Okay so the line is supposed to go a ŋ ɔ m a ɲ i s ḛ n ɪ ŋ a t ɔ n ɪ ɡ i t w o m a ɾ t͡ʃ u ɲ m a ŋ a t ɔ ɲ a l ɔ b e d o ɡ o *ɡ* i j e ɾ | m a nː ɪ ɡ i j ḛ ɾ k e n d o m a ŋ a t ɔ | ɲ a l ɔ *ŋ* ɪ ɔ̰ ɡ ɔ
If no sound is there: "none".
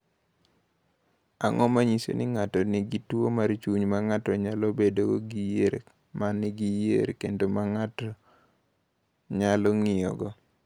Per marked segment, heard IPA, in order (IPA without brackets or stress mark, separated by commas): ɡ, ŋ